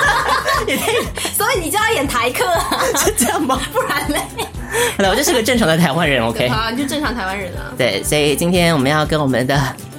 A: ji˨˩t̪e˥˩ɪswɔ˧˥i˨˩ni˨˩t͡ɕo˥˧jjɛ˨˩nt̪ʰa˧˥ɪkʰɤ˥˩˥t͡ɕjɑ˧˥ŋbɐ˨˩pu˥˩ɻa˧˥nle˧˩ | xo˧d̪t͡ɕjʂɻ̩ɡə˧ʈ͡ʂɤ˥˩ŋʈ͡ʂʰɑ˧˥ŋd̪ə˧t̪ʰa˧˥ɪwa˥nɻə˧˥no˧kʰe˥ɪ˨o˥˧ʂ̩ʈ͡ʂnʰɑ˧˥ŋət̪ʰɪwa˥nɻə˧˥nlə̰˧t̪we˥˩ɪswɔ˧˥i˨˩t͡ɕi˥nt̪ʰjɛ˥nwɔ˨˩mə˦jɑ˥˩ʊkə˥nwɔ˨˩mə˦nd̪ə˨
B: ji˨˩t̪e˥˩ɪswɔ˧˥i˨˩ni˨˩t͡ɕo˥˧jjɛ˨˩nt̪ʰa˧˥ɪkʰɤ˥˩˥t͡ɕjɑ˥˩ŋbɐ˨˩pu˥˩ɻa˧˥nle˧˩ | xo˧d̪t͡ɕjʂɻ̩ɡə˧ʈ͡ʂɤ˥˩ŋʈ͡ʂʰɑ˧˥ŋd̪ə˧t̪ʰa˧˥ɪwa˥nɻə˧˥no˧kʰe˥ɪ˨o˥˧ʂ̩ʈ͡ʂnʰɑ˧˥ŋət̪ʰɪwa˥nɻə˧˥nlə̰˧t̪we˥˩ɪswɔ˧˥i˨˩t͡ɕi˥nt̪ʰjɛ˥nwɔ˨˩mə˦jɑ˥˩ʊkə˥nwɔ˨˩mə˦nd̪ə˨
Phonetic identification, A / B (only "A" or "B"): B